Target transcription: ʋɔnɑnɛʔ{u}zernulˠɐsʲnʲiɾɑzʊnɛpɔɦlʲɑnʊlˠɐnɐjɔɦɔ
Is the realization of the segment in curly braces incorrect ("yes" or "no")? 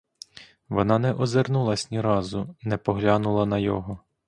yes